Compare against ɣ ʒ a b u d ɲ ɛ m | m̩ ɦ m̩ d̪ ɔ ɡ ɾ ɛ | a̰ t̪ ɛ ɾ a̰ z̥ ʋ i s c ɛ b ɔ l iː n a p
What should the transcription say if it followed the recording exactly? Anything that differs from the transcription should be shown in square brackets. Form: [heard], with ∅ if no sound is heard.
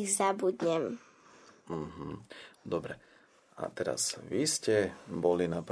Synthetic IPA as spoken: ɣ [z] a b u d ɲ ɛ m | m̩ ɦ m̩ d̪ ɔ [b] ɾ ɛ | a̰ t̪ ɛ ɾ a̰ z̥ ʋ i s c ɛ b ɔ l [i] n a p